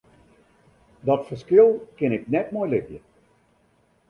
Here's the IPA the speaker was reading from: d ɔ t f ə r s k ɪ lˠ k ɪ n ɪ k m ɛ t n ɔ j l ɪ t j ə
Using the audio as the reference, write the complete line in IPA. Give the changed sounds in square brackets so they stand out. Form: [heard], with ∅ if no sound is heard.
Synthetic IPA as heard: d ɔ t f ə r s k ɪ lˠ k ɪ n ɪ k [n] ɛ t [m] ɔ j l ɪ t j ə

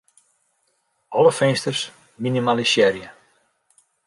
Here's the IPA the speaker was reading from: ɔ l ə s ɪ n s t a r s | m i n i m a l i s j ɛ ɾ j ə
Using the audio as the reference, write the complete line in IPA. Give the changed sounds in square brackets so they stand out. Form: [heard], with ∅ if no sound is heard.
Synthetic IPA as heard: ɔ l ə [f] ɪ n s t [ə] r s | m i n i m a l i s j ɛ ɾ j ə

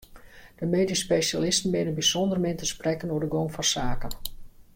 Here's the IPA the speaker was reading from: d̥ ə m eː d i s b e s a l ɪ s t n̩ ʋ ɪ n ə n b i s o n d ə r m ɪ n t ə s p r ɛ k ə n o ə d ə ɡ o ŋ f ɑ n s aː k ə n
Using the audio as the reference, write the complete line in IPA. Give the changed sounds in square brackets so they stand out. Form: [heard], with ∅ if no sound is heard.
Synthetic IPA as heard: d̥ ə m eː d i s [p] e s a l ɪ s t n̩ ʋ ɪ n ə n b i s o n d ə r m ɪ n t ə s p r ɛ k ə n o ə d ə ɡ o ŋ f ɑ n s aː k ə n

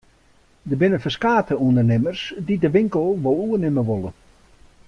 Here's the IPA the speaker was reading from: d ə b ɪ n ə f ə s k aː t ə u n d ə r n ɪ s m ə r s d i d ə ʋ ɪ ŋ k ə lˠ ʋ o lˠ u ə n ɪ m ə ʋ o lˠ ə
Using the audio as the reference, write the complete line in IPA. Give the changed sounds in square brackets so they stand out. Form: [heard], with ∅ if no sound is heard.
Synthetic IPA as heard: d ə b ɪ n ə f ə s k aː t ə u n d ə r n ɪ [∅] m ə r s d i d ə ʋ ɪ ŋ k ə lˠ ʋ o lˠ u ə n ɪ m ə ʋ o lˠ ə

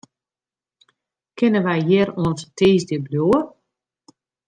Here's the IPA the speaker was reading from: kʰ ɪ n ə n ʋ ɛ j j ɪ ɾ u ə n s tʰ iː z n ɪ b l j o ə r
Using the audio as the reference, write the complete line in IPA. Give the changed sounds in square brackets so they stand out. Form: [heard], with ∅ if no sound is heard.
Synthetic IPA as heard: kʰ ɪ n ə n ʋ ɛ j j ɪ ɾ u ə n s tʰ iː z [d] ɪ b l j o ə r

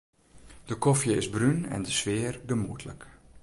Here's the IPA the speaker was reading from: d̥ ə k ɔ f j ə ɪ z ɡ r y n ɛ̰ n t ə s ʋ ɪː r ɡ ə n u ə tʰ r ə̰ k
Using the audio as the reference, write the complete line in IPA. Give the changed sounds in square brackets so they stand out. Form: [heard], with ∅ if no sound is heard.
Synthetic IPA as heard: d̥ ə k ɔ f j ə ɪ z [b] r y n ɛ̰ n [d] ə s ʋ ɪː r ɡ ə [m] u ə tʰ [l] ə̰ k

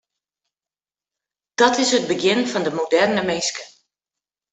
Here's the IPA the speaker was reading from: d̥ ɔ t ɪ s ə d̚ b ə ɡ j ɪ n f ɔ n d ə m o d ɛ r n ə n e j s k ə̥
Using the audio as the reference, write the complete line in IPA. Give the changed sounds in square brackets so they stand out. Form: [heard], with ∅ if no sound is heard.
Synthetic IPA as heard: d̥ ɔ t ɪ s ə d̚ b ə ɡ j ɪ n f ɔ n d ə m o d ɛ r n ə [m] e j s k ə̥

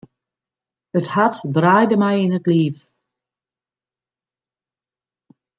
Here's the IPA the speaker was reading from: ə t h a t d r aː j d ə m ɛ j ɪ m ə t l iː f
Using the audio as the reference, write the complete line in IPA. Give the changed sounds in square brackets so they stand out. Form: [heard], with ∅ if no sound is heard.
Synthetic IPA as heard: ə t h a t d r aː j d ə m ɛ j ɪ [n] ə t l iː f

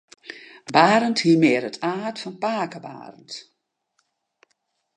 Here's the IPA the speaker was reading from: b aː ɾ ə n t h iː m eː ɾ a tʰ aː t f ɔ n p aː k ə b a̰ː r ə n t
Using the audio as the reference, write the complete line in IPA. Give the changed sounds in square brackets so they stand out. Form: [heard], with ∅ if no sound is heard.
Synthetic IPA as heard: b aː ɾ ə n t h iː m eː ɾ [ə] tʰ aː t f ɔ n p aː k ə b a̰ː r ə n t

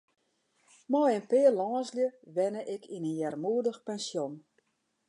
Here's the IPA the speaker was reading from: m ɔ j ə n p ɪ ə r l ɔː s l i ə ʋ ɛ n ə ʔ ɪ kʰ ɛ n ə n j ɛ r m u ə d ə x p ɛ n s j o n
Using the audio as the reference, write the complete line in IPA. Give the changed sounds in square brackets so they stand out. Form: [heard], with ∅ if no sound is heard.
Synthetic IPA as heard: m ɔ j ə n p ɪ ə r l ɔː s l [j] ə ʋ ɛ n ə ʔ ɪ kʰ [i] n ə n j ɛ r m u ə d ə x p ɛ n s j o n

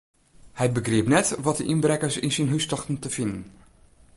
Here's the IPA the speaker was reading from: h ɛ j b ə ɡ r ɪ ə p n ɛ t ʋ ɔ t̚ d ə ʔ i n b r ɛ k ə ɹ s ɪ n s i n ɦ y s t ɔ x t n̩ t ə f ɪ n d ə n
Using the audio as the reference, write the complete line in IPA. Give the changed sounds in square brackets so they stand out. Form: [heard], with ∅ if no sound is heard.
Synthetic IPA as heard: h ɛ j b ə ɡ r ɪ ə p n ɛ t ʋ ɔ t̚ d ə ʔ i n b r ɛ k ə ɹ s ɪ n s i n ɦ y s t ɔ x t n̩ t ə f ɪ n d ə n

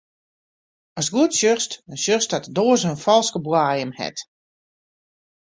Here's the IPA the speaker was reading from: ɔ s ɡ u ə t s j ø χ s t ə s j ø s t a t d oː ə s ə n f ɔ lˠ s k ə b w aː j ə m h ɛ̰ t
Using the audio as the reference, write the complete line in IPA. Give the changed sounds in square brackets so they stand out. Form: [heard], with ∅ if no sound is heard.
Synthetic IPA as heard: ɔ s ɡ u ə t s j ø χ s t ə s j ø s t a t d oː ə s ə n f ɔ lˠ s k ə b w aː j ə m h ɛ̰ t

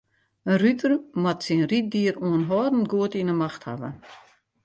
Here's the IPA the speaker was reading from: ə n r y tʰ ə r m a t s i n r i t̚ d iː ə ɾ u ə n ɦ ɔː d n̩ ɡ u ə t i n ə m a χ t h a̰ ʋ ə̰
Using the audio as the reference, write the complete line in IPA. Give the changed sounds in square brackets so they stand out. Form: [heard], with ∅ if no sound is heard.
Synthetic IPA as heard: ə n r y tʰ ə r m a t s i n r i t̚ d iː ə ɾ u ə n ɦ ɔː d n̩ ɡ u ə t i n ə m a [x] t h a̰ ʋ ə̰

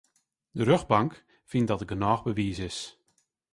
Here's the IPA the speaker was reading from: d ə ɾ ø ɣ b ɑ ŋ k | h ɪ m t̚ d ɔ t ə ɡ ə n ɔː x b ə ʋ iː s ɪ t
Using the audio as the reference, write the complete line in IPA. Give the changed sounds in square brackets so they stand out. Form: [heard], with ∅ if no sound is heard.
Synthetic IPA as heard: d ə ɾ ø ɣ b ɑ ŋ k | [f] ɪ [n] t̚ d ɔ t ə ɡ ə n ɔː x b ə ʋ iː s ɪ [s]

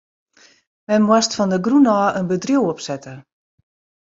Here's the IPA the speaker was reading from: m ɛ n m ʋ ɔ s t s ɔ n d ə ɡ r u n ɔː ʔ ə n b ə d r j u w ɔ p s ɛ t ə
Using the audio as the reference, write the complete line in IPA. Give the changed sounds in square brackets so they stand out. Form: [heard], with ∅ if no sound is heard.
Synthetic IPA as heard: m ɛ n m [w] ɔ s t [f] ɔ n d ə ɡ r u n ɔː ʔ ə n b ə d r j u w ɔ p s ɛ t ə

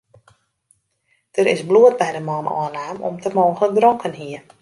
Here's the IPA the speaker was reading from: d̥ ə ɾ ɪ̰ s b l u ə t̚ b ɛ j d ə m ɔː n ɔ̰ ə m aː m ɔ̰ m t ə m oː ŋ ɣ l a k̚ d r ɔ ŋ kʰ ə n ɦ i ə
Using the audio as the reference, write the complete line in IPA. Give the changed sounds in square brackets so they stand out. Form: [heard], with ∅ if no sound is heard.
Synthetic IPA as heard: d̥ ə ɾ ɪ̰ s b l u ə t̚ b ɛ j d ə m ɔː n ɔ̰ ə [n] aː m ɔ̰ m t ə m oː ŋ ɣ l [ə] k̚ d r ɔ ŋ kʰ ə n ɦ i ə

